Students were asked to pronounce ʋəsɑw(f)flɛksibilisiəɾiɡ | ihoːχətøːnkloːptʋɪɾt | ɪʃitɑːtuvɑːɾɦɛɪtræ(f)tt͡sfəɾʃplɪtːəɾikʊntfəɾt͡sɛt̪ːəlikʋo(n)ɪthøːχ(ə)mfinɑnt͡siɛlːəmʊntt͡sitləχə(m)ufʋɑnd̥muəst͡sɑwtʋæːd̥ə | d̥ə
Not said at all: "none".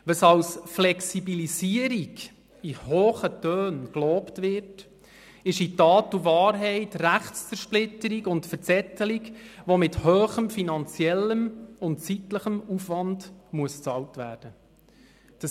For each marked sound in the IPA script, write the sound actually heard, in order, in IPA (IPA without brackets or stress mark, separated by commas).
s, χ, m, ə, m